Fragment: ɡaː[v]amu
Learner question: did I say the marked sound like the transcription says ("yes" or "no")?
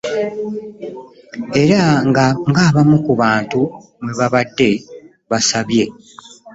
no